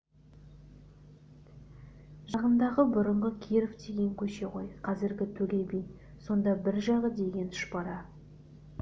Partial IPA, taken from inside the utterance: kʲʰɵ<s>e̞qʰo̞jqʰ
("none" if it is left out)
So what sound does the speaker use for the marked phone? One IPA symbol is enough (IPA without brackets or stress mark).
ʃ